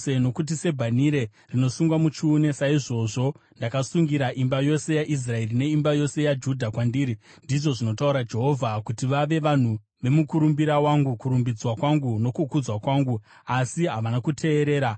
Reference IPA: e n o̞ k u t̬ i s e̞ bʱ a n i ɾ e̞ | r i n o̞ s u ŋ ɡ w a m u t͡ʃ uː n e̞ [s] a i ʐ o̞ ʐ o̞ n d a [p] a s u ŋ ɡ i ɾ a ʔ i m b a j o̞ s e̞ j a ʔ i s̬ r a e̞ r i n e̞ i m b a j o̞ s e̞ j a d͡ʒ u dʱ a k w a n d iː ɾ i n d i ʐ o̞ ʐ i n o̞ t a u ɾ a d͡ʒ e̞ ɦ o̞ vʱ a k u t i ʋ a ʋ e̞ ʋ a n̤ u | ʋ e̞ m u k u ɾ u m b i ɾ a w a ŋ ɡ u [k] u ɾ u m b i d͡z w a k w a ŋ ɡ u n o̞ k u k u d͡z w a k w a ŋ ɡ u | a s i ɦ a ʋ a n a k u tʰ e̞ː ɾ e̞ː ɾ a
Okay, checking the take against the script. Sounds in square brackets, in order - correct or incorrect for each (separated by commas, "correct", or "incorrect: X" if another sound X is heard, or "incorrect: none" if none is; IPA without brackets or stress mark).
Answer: correct, incorrect: k, correct